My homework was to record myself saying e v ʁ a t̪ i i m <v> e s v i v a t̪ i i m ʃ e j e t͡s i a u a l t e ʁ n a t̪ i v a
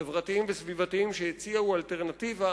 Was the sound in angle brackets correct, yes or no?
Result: yes